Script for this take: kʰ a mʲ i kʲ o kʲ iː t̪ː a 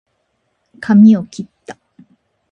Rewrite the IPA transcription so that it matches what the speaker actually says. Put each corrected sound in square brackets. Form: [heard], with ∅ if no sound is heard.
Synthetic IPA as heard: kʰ a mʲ i [∅] o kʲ [i] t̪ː a